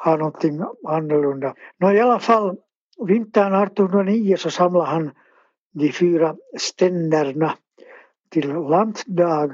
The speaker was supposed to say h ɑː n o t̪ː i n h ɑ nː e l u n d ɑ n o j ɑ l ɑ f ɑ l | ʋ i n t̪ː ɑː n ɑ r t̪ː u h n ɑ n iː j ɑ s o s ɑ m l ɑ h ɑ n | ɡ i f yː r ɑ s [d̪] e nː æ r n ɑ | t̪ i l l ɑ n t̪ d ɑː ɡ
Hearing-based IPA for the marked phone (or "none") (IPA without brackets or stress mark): t̪